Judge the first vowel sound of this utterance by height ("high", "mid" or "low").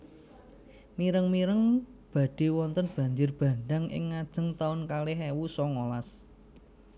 high